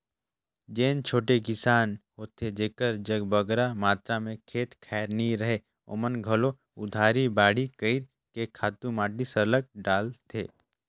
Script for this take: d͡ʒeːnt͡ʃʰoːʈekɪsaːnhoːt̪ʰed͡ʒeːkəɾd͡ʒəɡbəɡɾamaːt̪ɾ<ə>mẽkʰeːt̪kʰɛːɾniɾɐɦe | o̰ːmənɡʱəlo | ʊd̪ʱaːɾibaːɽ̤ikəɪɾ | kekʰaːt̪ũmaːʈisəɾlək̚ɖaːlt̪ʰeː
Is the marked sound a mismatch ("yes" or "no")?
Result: yes